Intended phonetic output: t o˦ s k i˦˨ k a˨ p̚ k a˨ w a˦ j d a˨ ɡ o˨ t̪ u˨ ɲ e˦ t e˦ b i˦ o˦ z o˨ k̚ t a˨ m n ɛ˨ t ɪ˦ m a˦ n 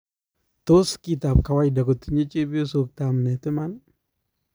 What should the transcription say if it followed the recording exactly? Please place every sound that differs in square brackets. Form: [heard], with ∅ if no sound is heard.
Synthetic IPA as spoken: t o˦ s k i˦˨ [t] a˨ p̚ k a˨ w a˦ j d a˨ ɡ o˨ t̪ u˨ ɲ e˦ [t͡ʃ] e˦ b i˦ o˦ [s] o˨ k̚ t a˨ m n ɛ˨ t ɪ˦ m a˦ n